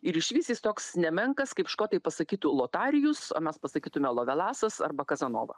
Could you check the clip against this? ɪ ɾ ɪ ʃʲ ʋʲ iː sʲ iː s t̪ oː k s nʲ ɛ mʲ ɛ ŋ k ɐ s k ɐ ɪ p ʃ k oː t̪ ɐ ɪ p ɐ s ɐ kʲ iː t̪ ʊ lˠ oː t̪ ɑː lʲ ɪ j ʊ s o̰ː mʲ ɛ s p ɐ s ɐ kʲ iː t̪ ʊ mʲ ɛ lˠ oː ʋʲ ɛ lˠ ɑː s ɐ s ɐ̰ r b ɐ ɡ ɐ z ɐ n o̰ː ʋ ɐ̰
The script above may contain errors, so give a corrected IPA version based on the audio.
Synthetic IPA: ɪ ɾ ɪ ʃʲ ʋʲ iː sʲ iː s t̪ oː k s nʲ ɛ mʲ ɛ ŋ k ɐ s k ɐ ɪ p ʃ k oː t̪ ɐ ɪ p ɐ s ɐ kʲ iː t̪ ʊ lˠ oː t̪ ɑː ɾʲ ɪ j ʊ s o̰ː mʲ ɛ s p ɐ s ɐ kʲ iː t̪ ʊ mʲ ɛ lˠ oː ʋʲ ɛ lˠ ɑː s ɐ s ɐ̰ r b ɐ k ɐ z ɐ n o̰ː ʋ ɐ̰